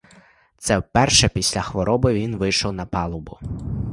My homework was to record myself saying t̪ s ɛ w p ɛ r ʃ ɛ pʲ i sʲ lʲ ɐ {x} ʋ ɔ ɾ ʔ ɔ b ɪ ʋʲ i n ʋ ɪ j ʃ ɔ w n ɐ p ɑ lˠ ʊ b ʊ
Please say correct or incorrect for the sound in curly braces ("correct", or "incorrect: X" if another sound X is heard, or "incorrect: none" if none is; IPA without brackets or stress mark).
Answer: correct